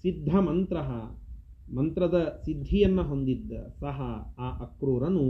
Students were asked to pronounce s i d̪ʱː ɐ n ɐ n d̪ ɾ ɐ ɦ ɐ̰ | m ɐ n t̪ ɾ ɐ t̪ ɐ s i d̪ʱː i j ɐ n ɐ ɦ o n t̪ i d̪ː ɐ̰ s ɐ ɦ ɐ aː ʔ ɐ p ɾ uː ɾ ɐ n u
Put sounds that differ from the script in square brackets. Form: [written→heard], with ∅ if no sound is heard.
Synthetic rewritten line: s i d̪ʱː ɐ [n→m] ɐ n [d̪→t̪] ɾ ɐ ɦ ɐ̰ | m ɐ n t̪ ɾ ɐ [t̪→d̪] ɐ s i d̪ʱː i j ɐ [n→nː] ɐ ɦ o n [t̪→d̪] i d̪ː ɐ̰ s ɐ ɦ ɐ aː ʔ ɐ [p→k] ɾ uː ɾ ɐ n u